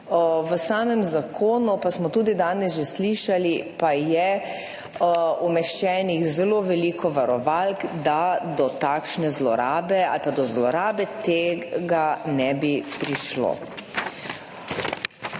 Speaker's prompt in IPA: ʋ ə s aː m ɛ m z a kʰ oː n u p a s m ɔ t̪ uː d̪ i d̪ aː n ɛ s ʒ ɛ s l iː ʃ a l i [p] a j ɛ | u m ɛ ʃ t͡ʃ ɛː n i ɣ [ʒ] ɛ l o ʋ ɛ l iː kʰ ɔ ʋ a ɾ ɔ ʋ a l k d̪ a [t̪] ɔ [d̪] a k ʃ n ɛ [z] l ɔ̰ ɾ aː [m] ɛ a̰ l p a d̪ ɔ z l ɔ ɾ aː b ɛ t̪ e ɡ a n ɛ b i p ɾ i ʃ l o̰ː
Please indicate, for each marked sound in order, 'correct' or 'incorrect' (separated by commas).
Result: correct, incorrect, incorrect, incorrect, correct, incorrect